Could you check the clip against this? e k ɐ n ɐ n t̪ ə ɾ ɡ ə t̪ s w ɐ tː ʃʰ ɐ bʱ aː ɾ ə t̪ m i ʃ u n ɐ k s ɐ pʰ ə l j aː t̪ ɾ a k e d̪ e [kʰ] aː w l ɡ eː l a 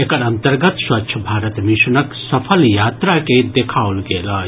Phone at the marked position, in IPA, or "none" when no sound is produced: kʰ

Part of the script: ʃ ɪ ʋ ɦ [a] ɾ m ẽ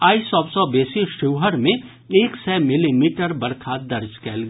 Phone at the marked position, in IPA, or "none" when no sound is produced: ə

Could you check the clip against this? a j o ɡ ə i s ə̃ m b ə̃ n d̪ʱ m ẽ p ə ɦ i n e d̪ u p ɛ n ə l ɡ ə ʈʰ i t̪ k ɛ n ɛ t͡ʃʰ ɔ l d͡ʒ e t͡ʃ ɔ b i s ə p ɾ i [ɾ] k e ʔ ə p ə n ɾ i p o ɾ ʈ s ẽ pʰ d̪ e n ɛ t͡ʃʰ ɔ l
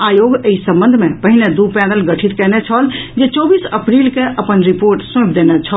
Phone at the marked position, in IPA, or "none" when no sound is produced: l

